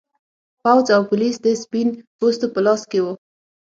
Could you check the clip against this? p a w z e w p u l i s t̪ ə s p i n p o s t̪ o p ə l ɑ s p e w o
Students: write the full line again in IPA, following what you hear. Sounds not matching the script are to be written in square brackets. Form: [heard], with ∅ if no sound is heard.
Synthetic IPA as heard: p a w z [a] w p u l i s [d̪] ə s p i n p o s t̪ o p ə l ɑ s [k] e w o

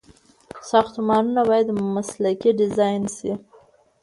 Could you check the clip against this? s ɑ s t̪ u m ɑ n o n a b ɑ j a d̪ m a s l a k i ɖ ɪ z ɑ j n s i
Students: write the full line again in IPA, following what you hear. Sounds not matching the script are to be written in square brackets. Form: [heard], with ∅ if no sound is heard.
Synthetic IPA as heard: s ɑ [x] t̪ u m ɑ n [u] n a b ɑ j a d̪ m a s l a k i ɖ ɪ z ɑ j n s i

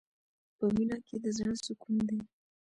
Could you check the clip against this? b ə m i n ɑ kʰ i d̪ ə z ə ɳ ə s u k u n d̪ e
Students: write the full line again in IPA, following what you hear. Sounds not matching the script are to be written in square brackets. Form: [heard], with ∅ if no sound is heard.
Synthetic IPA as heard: [p] ə m i n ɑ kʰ [e] d̪ ə z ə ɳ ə s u k u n d̪ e

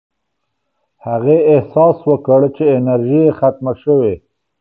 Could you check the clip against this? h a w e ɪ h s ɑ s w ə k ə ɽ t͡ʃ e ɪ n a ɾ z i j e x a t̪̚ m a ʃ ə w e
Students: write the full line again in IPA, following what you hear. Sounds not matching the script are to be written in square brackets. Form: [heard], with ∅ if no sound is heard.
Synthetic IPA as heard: h a [ɣ] e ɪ h s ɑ s w ə k ə ɽ t͡ʃ e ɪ n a ɾ [ʒ] i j e x a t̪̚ m a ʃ ə w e

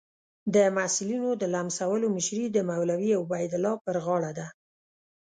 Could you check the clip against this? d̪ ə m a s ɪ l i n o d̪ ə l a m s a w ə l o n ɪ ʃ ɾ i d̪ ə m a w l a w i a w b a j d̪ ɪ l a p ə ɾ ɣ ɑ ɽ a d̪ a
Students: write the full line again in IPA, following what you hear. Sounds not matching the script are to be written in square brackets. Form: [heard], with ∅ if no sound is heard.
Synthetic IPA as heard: d̪ ə m a s ɪ l i n o d̪ ə l a m s a w ə l o [m] ɪ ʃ ɾ i d̪ ə m a w l a w i a w b a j d̪ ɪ l [ɑ] p ə ɾ ɣ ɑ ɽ a d̪ a

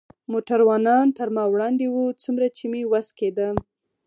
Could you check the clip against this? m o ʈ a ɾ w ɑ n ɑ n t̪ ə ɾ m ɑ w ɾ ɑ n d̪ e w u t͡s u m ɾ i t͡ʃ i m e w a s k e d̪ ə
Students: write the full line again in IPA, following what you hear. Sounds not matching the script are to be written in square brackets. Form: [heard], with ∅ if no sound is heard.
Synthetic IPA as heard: m o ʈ a ɾ w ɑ n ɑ n t̪ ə ɾ m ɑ w [ɽ] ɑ n d̪ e w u t͡s u m ɾ [a] t͡ʃ i m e w a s k e d̪ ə

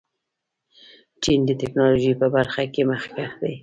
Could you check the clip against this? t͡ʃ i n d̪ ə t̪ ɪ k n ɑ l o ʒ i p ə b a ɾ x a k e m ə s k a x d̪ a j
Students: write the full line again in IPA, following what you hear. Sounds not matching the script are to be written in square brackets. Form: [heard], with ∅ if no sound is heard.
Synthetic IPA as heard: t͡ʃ i n d̪ ə t̪ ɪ k n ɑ l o ʒ i p ə b a ɾ x a k e m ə [x] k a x d̪ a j

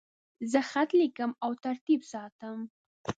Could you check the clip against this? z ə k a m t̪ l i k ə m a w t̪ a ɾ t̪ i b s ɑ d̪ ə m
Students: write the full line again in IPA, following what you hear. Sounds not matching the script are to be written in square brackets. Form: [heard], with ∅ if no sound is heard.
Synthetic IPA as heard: z ə [x] a [∅] t̪ l i k ə m a w t̪ a ɾ t̪ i b s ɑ [t̪] ə m

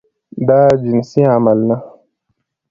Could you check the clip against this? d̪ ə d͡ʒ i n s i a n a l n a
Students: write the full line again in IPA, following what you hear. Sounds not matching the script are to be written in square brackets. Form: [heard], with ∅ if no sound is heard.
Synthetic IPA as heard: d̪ [a] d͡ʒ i n s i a [m] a l n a

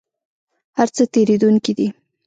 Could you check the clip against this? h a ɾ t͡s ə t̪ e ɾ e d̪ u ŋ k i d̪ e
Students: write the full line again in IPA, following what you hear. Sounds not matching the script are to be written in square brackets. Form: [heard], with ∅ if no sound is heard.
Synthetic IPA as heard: h a ɾ t͡s ə t̪ e ɾ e d̪ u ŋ k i d̪ [i]

